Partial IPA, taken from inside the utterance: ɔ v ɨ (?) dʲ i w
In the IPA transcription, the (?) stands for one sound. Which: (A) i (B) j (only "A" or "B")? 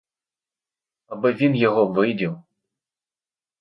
B